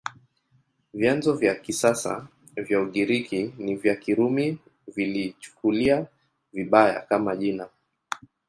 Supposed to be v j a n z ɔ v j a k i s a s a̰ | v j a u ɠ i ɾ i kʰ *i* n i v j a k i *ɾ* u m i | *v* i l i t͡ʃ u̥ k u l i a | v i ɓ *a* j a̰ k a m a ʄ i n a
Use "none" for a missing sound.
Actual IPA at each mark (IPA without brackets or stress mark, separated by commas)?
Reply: i, ɾ, v, a